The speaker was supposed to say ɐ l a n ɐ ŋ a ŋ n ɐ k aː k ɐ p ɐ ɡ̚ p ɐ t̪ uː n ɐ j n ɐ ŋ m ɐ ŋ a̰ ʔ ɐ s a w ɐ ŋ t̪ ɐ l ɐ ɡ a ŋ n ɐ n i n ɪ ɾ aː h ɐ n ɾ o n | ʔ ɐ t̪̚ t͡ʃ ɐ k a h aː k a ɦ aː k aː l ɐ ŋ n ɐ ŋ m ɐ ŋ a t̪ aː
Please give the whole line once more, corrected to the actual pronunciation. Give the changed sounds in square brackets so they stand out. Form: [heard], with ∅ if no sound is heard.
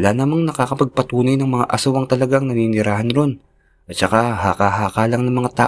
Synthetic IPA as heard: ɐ l a n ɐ [m] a ŋ n ɐ k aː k ɐ p ɐ ɡ̚ p ɐ t̪ uː n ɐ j n ɐ ŋ m ɐ ŋ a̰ ʔ ɐ s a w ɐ ŋ t̪ ɐ l ɐ ɡ a ŋ n ɐ n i n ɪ ɾ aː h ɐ n ɾ o n | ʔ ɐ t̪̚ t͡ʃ ɐ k a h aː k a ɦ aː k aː l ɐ ŋ n ɐ ŋ m ɐ ŋ a t̪ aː